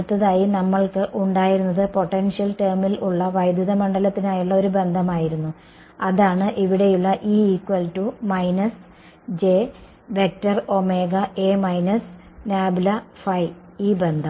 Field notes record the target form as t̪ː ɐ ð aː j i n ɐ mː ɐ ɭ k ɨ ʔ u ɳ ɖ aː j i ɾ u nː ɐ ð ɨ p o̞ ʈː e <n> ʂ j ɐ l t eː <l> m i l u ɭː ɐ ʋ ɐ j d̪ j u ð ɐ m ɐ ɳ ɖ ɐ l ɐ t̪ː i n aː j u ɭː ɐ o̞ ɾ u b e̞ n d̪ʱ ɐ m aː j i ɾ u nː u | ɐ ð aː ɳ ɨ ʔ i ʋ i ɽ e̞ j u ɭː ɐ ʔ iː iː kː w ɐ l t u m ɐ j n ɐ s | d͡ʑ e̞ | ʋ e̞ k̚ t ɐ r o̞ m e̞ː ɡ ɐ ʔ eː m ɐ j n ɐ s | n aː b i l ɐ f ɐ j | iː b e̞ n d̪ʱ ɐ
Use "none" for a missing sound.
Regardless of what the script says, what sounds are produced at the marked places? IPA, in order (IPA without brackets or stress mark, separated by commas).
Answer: n, r